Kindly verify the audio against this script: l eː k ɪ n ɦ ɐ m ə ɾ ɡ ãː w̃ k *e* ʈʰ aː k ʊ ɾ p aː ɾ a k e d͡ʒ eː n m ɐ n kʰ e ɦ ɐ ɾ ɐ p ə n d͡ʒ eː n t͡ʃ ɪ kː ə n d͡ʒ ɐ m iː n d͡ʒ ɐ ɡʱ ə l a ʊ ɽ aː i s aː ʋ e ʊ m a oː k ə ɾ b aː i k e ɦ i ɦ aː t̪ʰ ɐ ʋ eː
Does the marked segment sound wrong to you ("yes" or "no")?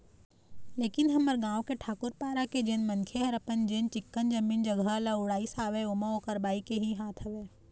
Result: no